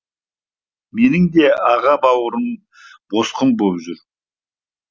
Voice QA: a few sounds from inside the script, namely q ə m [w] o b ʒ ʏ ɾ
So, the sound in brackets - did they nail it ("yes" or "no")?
no